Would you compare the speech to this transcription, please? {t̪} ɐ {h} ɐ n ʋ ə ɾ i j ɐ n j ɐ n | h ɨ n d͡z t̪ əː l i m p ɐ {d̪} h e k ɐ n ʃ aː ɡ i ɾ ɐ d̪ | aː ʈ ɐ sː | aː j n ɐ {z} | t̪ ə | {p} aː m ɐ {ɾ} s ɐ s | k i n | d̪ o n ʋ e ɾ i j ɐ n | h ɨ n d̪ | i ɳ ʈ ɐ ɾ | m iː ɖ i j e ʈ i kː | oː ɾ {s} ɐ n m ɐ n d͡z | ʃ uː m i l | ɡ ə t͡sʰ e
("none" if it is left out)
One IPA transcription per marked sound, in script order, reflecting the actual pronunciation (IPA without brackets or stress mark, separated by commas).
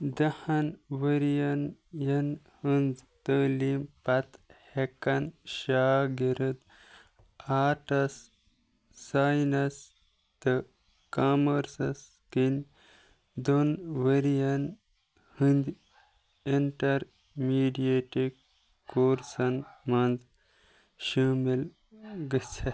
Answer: d̪, h, t̪, s, k, ɾ, s